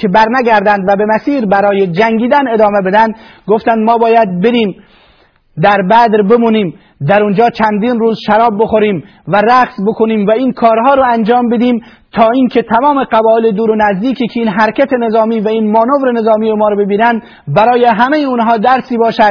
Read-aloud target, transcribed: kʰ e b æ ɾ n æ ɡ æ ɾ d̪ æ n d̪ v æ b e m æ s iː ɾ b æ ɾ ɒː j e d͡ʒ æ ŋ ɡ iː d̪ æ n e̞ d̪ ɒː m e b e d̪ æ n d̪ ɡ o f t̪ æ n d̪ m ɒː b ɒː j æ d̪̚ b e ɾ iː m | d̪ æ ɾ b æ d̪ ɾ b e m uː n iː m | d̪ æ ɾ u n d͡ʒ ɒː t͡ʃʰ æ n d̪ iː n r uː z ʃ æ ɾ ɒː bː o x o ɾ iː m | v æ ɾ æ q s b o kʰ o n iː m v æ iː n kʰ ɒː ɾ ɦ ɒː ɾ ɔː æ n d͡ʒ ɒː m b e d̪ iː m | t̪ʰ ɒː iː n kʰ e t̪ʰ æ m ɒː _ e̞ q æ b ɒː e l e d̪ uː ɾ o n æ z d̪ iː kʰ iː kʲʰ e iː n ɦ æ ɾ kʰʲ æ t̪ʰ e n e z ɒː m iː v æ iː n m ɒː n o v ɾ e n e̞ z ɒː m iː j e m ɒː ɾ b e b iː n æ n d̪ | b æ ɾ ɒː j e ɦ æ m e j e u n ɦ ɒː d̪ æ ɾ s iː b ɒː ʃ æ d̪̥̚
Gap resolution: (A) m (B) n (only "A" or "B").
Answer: A